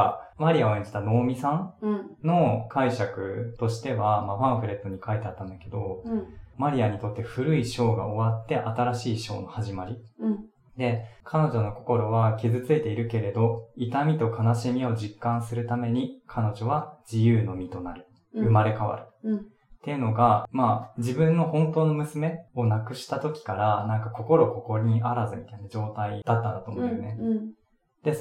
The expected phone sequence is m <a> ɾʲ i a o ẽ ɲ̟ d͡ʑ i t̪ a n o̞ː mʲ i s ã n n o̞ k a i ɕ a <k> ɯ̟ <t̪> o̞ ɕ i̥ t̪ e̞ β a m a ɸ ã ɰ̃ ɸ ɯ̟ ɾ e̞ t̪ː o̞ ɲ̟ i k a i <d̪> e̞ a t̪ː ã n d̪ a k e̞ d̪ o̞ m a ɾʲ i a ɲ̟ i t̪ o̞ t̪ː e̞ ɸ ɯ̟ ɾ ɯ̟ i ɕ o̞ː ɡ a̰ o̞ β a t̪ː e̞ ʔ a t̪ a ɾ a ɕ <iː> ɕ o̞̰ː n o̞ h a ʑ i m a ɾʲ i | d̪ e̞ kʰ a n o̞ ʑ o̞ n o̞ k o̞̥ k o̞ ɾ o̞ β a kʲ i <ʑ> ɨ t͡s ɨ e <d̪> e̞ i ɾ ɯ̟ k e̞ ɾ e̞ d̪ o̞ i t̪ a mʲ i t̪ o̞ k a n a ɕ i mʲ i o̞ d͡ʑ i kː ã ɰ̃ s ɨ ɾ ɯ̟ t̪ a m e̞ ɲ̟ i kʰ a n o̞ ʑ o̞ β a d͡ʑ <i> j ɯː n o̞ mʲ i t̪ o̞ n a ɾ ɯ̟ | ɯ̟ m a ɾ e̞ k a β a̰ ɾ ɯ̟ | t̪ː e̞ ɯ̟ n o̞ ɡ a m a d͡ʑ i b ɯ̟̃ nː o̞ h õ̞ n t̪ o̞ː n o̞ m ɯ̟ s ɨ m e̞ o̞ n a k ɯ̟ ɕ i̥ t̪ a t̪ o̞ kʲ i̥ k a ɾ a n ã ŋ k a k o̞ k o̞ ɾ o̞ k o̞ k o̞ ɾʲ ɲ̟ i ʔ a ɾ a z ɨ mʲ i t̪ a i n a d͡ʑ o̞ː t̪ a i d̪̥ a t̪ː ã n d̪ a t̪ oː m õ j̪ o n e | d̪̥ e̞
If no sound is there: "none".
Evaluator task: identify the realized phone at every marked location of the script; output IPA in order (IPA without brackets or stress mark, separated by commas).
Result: a, k, t̪, t̪, iː, z, t̪, i